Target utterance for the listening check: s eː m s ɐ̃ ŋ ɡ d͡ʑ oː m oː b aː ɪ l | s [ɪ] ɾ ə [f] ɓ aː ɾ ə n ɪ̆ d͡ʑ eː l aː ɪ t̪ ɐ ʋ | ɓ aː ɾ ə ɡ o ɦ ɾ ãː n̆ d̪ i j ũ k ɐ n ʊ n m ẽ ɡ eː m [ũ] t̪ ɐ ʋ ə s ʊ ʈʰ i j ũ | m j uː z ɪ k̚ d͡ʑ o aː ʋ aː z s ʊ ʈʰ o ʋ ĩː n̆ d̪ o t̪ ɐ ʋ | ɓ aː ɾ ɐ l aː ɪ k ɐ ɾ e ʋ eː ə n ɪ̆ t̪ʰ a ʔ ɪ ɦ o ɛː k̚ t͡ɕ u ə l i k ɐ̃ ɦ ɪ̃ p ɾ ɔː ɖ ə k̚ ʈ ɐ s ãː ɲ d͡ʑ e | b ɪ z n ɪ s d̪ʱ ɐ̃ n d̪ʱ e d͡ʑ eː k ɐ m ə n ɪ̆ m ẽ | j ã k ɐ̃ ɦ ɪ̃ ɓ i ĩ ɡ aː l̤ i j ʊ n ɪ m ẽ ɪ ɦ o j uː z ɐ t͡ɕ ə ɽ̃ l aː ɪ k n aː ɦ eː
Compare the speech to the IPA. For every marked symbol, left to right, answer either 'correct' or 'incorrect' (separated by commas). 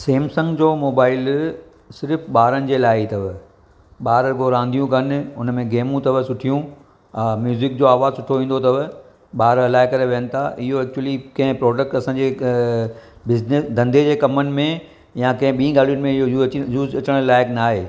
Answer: correct, correct, correct